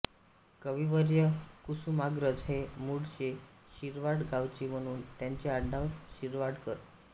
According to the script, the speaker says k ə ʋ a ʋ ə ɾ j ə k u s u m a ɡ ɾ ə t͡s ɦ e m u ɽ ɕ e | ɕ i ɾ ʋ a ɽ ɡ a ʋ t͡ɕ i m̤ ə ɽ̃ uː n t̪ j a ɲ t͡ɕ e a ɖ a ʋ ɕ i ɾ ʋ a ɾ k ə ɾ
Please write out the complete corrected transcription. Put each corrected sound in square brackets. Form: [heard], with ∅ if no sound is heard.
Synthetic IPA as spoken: k ə ʋ [i] ʋ ə ɾ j ə k u s u m a ɡ ɾ ə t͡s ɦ e m u ɽ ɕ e | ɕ i ɾ ʋ a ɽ ɡ a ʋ t͡ɕ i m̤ ə ɽ̃ uː n t̪ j a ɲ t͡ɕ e a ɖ a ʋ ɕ i ɾ ʋ a [ɽ] k ə ɾ